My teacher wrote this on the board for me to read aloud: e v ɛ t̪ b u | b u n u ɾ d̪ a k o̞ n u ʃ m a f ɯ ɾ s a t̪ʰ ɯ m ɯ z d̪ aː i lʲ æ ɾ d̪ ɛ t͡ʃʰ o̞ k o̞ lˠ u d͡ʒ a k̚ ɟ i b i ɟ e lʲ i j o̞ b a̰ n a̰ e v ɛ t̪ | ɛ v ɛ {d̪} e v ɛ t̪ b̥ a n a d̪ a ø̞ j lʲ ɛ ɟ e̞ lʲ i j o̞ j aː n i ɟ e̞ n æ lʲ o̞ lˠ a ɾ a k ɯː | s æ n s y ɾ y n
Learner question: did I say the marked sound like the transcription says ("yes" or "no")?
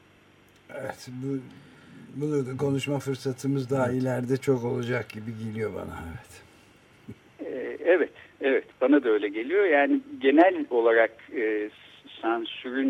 no